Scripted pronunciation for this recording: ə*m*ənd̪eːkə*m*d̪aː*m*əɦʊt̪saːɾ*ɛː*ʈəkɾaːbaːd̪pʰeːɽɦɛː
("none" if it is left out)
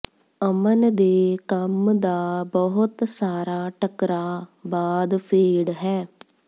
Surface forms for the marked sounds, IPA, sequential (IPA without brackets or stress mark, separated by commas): m, m, b, aː